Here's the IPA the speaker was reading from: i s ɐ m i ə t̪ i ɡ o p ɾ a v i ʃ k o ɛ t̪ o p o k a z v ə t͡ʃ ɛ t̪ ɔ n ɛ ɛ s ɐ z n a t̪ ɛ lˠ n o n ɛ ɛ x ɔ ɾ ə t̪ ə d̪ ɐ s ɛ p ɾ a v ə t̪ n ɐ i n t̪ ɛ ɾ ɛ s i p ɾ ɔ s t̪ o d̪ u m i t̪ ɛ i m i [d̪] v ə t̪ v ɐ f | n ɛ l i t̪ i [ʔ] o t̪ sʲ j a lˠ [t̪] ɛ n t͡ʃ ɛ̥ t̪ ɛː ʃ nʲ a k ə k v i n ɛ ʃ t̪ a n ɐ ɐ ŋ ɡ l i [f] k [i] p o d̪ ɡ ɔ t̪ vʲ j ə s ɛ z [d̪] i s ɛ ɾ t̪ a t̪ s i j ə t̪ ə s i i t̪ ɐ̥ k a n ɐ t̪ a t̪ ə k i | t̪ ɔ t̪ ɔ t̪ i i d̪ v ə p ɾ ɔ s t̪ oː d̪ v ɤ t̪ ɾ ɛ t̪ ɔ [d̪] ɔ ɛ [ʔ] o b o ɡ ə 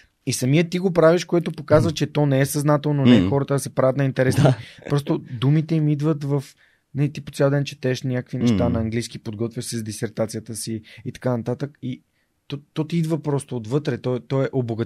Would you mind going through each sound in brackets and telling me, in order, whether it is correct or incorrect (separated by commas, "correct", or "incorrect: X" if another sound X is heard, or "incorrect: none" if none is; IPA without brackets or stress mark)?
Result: correct, incorrect: p, incorrect: d̪, incorrect: s, correct, correct, incorrect: t̪, correct